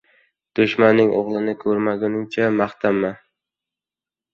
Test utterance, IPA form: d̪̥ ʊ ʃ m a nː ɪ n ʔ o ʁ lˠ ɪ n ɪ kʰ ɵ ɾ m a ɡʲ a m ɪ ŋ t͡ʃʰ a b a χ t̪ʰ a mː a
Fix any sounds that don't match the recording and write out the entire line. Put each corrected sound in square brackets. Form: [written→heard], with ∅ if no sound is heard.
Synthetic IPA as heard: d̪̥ ʊ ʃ m a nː ɪ [n→ŋ] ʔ o ʁ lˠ ɪ n ɪ kʰ ɵ ɾ m a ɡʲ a [m→n] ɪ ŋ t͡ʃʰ a [b→m] a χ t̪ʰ a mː a